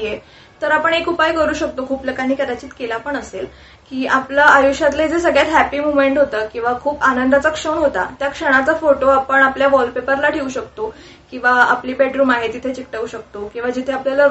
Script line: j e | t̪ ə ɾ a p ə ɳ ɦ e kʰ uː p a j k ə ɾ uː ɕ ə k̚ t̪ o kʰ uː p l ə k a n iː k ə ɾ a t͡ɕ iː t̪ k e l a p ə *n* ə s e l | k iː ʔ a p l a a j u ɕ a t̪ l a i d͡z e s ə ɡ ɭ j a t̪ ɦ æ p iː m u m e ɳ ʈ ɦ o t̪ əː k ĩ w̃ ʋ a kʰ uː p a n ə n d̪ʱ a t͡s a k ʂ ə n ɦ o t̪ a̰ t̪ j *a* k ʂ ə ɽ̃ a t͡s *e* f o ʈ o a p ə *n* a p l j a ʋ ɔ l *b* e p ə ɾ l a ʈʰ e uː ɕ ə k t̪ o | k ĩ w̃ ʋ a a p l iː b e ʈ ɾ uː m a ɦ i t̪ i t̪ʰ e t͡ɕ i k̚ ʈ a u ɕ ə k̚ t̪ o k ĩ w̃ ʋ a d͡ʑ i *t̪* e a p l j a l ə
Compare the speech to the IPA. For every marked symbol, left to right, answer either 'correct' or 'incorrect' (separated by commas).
incorrect, correct, incorrect, incorrect, incorrect, incorrect